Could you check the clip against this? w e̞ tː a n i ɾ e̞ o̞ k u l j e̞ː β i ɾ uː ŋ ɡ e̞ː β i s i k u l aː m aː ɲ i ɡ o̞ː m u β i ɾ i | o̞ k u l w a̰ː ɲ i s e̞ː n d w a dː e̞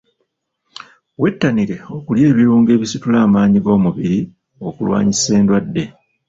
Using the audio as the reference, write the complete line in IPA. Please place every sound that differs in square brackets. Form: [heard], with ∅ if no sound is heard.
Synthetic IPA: w e̞ tː a n i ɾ e̞ o̞ k u l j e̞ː β i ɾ uː ŋ ɡ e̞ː β i s i [t] u l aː m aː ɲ i ɡ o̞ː m u β i ɾ i | o̞ k u l w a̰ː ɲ i s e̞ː n d w a dː e̞